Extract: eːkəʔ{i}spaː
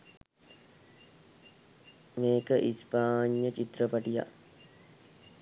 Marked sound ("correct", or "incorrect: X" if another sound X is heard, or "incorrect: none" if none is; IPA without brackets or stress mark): correct